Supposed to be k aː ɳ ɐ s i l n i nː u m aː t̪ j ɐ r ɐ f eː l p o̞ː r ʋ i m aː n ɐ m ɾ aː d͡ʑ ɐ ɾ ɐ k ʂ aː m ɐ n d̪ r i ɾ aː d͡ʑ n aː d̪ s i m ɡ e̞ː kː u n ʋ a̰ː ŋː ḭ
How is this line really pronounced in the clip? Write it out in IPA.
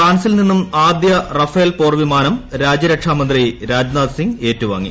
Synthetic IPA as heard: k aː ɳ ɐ s i l n i nː u m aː d̪ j ɐ r ɐ f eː l p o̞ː r ʋ i m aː n ɐ m ɾ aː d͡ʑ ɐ ɾ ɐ k ʂ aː m ɐ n d̪ r i ɾ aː d͡ʑ n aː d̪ s i ŋ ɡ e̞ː tː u ʋ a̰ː ŋː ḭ

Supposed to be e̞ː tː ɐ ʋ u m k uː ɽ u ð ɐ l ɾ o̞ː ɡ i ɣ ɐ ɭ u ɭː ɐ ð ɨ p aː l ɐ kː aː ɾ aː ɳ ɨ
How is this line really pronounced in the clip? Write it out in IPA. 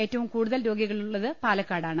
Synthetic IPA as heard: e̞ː tː ɐ ʋ u m k uː ɽ u ð ɐ l ɾ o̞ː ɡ i ɣ ɐ ɭ u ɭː ɐ ð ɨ p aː l ɐ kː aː ɽ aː ɳ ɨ

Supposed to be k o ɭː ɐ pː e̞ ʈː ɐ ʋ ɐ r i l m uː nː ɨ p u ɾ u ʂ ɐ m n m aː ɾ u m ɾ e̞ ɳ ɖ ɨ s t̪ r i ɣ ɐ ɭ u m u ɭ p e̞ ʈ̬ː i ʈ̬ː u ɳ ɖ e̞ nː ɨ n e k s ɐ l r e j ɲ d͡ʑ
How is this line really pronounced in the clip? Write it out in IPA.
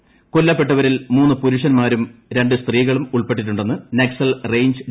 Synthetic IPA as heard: k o lː ɐ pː e̞ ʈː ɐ ʋ ɐ ɾ i l m uː nː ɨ p u ɾ u ʂ ɐ n m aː ɾ u m ɾ e̞ ɳ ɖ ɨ s t̪ r iː ɣ ɐ ɭ u m u ɭ p e̞ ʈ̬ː i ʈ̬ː u ɳ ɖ e̞ nː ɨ n e k s ɐ l r e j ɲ d͡ʑ

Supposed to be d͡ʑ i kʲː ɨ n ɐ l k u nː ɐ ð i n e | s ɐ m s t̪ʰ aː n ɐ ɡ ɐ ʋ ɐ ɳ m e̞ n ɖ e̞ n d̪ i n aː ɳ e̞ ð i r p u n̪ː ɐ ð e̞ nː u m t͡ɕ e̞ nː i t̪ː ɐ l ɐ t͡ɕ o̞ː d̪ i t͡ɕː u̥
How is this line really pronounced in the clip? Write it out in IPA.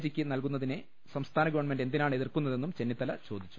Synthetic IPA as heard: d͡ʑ i kʲː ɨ n ɐ l k u nː ɐ ð i n e | s ɐ m s t̪ʰ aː n ɐ ɡ ɐ ʋ ɐ ɳ m e̞ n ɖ e̞ n d̪ i n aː ɳ e̞ ð i r k u n̪ː ɐ ð e̞ nː u m t͡ɕ e̞ nː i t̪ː ɐ l ɐ t͡ɕ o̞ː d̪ i t͡ɕː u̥

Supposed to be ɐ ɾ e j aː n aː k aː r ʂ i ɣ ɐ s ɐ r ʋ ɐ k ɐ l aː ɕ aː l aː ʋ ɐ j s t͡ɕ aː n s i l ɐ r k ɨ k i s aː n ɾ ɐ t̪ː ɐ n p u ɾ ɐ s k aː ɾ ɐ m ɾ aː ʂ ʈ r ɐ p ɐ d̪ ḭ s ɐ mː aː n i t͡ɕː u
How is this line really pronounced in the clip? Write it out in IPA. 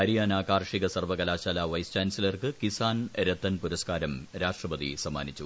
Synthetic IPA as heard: ɐ ɾ i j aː n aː k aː r ʂ i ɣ ɐ s ɐ r ʋ ɐ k ɐ l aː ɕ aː l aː ʋ ɐ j s t͡ɕ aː n s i l ɐ r k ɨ k i s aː n ɾ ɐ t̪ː ɐ n p u ɾ ɐ s k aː ɾ ɐ m ɾ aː ʂ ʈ r ɐ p ɐ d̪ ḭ s ɐ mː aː n i t͡ɕː u

